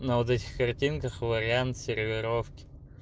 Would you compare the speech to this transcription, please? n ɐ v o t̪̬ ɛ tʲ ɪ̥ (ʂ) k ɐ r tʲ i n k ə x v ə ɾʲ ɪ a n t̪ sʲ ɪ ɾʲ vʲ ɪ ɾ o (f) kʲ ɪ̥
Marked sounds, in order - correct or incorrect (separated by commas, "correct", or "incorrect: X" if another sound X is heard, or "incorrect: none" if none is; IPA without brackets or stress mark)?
incorrect: x, correct